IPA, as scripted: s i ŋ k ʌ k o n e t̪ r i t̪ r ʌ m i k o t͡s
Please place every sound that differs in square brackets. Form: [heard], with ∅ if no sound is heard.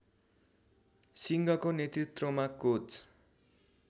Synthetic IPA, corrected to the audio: s i ŋ [ɡ] ʌ k o n e t̪ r i t̪ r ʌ m [a] k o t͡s